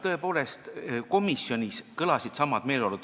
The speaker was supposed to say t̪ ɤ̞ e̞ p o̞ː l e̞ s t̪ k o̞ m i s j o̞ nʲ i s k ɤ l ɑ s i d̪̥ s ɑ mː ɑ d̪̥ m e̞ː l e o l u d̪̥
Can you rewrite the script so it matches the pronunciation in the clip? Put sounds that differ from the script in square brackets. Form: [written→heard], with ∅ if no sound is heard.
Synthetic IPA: t̪ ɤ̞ e̞ p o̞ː l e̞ s t̪ k o̞ m i s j o̞ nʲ i s k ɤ l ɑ s i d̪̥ s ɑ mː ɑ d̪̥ m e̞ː l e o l u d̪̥